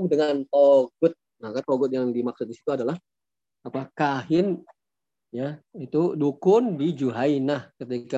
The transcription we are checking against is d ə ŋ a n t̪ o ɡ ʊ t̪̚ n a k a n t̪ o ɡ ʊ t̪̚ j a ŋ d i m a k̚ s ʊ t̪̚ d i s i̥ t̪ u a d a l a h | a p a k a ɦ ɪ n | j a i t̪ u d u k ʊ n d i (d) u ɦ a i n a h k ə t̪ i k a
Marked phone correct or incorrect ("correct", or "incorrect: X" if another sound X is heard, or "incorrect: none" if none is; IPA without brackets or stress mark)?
incorrect: d͡ʒ